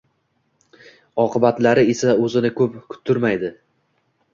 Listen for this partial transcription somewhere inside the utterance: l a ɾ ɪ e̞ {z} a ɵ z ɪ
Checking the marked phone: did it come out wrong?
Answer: yes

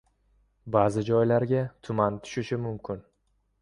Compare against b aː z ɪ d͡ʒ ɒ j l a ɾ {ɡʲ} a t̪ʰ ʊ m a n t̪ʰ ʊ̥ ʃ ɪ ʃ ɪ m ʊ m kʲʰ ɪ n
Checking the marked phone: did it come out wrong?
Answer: no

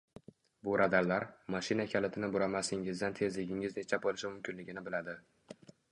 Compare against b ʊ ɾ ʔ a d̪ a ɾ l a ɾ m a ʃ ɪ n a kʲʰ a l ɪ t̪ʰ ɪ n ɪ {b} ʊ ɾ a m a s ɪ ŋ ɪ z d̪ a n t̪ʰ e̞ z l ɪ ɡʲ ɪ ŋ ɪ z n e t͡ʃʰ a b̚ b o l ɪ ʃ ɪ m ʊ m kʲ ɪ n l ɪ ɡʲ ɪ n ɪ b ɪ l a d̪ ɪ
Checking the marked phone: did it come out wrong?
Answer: no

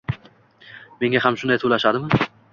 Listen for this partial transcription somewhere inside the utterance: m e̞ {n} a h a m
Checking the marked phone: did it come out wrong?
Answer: yes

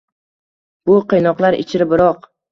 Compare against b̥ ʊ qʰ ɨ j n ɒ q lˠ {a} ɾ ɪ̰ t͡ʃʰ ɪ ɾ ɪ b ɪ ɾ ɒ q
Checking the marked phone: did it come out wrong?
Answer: no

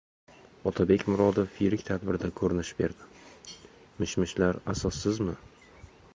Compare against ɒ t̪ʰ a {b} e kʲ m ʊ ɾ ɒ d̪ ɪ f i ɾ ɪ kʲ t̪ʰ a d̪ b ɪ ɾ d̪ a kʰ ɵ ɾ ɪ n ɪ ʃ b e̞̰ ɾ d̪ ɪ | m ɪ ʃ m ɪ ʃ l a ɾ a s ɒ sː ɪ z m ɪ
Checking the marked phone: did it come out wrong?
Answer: no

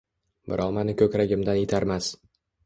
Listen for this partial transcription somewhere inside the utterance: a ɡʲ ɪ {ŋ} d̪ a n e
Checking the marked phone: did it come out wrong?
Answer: yes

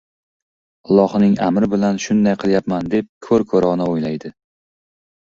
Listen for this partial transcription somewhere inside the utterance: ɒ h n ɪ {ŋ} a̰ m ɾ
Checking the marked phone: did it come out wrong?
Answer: no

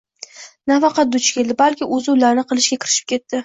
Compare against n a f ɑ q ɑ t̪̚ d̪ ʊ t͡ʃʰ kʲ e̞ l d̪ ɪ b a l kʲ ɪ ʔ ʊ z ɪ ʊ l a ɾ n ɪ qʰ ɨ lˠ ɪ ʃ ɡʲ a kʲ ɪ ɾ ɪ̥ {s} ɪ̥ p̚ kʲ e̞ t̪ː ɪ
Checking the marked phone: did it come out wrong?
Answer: yes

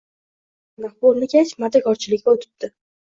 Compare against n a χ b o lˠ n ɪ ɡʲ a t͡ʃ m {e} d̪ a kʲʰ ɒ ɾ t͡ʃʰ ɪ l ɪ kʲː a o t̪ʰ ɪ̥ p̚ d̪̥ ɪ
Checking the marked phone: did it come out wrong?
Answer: yes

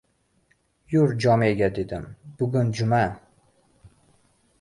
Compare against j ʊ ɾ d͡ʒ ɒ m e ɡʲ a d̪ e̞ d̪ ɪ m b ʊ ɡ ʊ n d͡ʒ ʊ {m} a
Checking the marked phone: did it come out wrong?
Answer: no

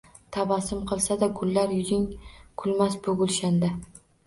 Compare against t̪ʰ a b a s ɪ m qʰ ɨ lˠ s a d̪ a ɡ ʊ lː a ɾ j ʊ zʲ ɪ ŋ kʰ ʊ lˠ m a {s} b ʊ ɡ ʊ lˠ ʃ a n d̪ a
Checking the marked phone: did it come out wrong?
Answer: no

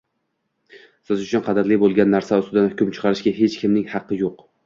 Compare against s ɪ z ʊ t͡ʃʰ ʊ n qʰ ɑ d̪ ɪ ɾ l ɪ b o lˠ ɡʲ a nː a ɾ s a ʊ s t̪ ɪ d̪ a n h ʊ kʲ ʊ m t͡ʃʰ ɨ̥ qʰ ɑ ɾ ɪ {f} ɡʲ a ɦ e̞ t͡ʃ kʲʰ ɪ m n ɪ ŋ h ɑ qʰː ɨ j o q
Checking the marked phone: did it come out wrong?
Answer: yes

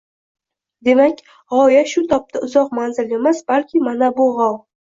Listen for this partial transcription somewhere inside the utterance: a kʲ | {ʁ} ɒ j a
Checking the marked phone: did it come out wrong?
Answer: no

